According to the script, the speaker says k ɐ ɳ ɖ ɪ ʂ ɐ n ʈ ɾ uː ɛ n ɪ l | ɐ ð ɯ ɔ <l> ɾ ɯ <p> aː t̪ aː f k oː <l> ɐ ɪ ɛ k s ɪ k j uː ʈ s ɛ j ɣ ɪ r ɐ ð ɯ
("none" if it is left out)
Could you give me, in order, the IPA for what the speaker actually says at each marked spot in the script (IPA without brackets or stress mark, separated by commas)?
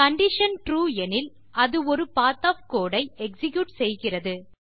none, p, ɽ